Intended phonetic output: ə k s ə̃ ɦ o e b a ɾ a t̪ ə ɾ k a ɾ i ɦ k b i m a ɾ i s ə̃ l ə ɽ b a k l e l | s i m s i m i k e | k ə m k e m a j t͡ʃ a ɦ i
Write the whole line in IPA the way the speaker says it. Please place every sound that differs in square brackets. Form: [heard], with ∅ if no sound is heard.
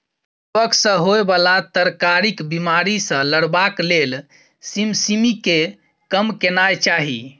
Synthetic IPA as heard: ə k s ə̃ ɦ o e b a [l] a t̪ ə ɾ k a ɾ i [∅] k b i m a ɾ i s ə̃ l ə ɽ b a k l e l | s i m s i m i k e | k ə m k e [n] a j t͡ʃ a ɦ i

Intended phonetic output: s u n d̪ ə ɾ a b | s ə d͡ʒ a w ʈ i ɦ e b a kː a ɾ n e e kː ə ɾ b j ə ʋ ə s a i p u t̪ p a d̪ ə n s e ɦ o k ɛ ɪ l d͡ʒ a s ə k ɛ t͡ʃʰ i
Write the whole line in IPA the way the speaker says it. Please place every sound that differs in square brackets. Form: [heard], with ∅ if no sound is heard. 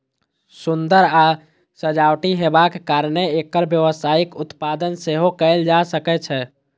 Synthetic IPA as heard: s u n d̪ ə ɾ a [∅] | s ə d͡ʒ a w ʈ i ɦ e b a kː a ɾ n e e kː ə ɾ b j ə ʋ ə s a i [k] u t̪ p a d̪ ə n s e ɦ o k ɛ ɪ l d͡ʒ a s ə k ɛ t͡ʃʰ [ɛ]

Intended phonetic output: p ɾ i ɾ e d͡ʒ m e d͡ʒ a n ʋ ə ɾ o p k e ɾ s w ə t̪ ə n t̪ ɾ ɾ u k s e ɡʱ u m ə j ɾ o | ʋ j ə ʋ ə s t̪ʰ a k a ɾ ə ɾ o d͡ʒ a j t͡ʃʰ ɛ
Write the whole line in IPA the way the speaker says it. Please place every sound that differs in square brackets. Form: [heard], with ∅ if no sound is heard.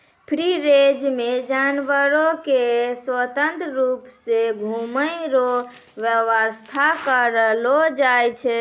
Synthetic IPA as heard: [pʰ] ɾ i ɾ e d͡ʒ m e d͡ʒ a n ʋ ə ɾ o [∅] k e [∅] s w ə t̪ ə n t̪ ɾ ɾ u [p] s e ɡʱ u m ə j ɾ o | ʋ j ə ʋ ə s t̪ʰ a k [ə] ɾ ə [l] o d͡ʒ a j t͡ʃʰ ɛ

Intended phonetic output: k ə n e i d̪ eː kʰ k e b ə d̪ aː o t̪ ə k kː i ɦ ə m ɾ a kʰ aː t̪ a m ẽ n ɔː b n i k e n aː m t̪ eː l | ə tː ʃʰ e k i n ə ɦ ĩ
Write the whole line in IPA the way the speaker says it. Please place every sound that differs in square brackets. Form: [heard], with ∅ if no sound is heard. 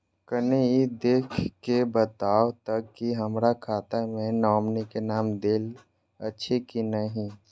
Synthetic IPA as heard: k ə n e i d̪ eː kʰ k e b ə [t̪] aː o t̪ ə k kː i ɦ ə m ɾ a kʰ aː t̪ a m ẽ n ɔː [m] n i k e n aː m [d̪] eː l | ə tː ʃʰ e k i n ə ɦ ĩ

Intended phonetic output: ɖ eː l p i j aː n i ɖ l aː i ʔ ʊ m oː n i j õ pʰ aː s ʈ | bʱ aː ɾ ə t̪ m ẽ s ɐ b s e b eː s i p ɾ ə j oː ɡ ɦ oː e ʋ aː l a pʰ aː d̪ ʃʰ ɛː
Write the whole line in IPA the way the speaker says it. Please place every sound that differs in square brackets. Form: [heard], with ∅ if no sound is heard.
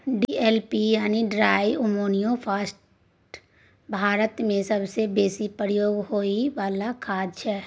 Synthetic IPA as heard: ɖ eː l p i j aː n i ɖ [ɾ] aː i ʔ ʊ m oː n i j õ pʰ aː s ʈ | bʱ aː ɾ ə t̪ m ẽ s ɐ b s e b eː s i p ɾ ə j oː ɡ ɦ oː [i] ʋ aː l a [kʰ] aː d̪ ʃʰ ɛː

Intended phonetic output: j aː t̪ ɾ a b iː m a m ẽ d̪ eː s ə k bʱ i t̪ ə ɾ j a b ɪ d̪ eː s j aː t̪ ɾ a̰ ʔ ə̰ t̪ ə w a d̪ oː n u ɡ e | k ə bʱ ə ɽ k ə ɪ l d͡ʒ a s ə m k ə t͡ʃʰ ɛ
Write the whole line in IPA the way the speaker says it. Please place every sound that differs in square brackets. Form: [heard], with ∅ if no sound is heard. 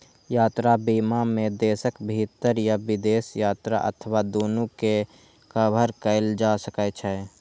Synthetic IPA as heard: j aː t̪ ɾ a b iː m a m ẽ d̪ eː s ə k bʱ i t̪ ə ɾ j a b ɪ d̪ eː s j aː t̪ ɾ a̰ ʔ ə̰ [t̪ʰ] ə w a d̪ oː n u [k] e | k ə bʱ ə [ɾ] k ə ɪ l d͡ʒ a s ə [∅] k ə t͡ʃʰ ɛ

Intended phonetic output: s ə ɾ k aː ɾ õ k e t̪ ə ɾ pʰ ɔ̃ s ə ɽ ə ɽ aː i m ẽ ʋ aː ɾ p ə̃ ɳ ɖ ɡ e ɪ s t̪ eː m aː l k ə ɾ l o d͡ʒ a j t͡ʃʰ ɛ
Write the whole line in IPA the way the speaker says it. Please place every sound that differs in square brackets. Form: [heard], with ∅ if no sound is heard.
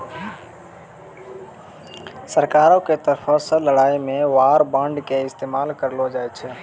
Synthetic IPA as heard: s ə ɾ k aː ɾ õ k e t̪ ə ɾ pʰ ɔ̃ s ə [l] ə ɽ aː i m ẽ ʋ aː ɾ [b] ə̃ ɳ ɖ [k] e ɪ s t̪ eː m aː l k ə ɾ l o d͡ʒ a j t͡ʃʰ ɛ

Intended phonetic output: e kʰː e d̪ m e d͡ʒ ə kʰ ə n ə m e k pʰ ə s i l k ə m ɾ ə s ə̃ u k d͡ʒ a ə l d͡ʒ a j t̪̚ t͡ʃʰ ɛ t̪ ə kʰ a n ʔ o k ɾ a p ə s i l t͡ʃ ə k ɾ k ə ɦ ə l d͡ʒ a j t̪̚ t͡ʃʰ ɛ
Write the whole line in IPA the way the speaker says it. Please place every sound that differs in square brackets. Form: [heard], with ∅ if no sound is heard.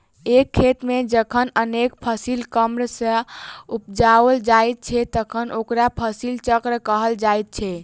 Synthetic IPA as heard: e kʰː e [t̪] m e d͡ʒ ə kʰ ə n ə [n] e k pʰ ə s i l k ə m ɾ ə s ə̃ u [p] d͡ʒ a ə l d͡ʒ a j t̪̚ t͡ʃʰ ɛ t̪ ə kʰ [ə] n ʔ o k ɾ a [pʰ] ə s i l t͡ʃ ə k ɾ k ə ɦ ə l d͡ʒ a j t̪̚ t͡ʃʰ ɛ

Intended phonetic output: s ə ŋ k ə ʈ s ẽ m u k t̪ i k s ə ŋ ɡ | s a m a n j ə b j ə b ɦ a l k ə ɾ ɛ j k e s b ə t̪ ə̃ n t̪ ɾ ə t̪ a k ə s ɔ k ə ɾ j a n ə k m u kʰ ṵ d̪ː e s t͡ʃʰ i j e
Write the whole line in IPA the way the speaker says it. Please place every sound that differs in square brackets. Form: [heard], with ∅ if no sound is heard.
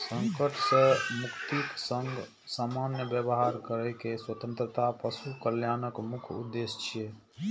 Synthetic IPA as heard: s ə ŋ k ə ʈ s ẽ m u k t̪ i k s ə ŋ ɡ | s a m a n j ə b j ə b ɦ a [ɾ] k ə ɾ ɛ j k e s [w] ə t̪ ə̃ n t̪ ɾ ə t̪ a [p] ə s [u] k ə [l] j a n ə k m u kʰ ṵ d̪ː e s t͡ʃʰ i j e

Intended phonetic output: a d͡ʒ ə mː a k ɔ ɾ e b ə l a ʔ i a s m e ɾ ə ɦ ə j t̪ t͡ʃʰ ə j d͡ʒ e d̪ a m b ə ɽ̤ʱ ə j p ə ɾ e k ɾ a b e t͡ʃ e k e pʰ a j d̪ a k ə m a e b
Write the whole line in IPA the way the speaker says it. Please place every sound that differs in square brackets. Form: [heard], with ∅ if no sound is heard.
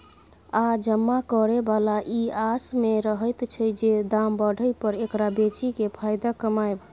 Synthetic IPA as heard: a d͡ʒ ə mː a k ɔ ɾ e b [a] l a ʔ i a s m e ɾ ə ɦ ə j t̪ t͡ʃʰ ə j d͡ʒ e d̪ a m b ə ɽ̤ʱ ə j p ə ɾ e k ɾ a b e t͡ʃ [i] k e pʰ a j d̪ a k ə m a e b

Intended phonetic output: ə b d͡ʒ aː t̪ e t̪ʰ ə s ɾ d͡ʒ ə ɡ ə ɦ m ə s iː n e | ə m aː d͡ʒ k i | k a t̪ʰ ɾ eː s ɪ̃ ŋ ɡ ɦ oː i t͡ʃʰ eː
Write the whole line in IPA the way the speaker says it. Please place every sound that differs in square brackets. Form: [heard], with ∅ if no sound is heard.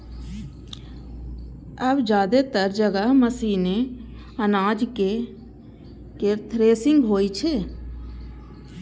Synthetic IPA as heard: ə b d͡ʒ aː [d̪] e [t̪] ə [∅] ɾ d͡ʒ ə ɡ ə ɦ m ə s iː n e | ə [n] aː d͡ʒ k [e] | k [e] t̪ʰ ɾ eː s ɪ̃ ŋ ɡ ɦ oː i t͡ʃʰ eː

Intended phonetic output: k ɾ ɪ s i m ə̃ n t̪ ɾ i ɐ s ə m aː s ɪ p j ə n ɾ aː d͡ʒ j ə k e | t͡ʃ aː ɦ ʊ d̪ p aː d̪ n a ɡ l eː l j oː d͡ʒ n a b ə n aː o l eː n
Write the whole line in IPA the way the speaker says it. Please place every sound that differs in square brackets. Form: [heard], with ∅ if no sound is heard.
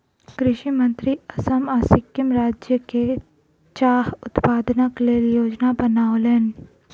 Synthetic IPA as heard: k ɾ ɪ [ʃ] i m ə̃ n t̪ ɾ i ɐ s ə m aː s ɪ [k] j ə [m] ɾ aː d͡ʒ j ə k e | t͡ʃ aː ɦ ʊ [t̪] p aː d̪ n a [k] l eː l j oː d͡ʒ n a b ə n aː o l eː n

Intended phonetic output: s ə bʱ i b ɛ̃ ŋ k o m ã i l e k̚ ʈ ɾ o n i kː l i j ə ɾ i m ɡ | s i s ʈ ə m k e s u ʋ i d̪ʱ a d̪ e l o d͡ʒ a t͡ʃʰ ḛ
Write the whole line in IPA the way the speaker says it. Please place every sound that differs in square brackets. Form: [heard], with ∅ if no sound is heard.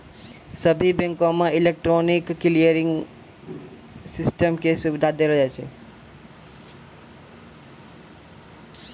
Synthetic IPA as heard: s ə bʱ i b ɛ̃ ŋ k o m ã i l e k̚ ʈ ɾ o n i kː l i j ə ɾ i [ŋ] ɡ | s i s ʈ ə m k e s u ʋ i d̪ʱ a d̪ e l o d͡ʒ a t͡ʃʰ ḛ

